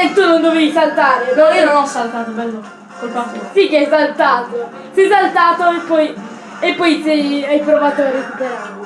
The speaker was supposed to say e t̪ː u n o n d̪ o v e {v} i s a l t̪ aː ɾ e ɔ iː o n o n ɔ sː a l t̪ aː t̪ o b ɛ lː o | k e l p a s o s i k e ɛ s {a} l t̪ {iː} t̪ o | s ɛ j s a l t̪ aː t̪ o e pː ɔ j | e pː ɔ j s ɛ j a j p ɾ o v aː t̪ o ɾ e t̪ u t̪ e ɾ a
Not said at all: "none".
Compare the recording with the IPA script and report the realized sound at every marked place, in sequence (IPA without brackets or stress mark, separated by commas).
v, a, aː